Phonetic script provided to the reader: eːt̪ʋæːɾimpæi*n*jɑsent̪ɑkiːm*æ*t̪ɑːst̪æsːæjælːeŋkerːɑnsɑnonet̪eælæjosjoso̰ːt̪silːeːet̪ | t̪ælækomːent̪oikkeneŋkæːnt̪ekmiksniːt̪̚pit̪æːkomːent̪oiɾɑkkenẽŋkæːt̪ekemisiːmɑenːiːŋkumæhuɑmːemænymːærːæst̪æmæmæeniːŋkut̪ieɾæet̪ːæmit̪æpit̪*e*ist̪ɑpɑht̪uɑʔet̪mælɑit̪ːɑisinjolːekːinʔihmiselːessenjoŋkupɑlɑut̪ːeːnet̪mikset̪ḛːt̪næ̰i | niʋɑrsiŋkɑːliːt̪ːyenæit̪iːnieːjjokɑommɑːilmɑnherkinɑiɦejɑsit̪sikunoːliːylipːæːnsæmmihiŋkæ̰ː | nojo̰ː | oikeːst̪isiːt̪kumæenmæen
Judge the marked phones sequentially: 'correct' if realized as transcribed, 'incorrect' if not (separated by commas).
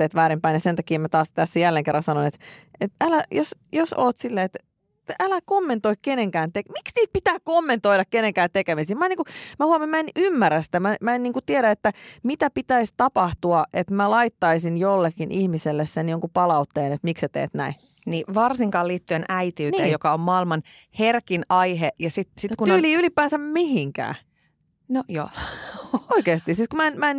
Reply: correct, correct, incorrect